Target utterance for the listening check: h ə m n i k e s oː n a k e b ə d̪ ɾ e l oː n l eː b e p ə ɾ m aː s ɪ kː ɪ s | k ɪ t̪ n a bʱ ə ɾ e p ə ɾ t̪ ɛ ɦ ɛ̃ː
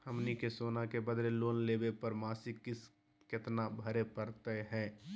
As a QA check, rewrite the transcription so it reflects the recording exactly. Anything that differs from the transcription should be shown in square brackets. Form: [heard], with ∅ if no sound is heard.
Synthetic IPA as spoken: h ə m n i k e s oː n a k e b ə d̪ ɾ e l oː n l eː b e p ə ɾ m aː s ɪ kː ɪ s | k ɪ t̪ n a bʱ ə ɾ e p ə ɾ t̪ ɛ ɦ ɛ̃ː